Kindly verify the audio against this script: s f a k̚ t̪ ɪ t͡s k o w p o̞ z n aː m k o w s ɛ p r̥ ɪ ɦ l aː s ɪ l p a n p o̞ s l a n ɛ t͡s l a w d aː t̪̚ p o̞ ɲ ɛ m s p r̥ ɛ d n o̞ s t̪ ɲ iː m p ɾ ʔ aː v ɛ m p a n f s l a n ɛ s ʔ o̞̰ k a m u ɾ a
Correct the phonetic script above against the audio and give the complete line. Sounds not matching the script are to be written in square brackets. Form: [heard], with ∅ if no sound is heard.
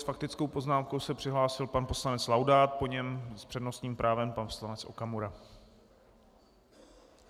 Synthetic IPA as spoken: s f a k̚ t̪ ɪ t͡s k o w p o̞ z n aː m k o w s ɛ p r̥ ɪ ɦ l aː s ɪ l p a n p o̞ s l a n ɛ t͡s l a w d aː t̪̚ p o̞ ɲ ɛ m s p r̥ ɛ d n o̞ s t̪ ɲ iː m p ɾ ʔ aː v ɛ m p a n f s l a n ɛ [t͡s] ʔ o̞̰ k a m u ɾ a